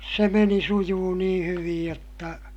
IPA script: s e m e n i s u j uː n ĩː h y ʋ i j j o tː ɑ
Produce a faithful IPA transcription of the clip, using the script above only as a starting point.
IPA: s e m e n i s u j uː n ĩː h y ʋ i j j o tː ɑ